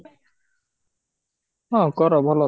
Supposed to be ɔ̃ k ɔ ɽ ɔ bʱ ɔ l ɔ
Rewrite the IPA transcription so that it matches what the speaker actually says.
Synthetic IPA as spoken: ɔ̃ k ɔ ɾ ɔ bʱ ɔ l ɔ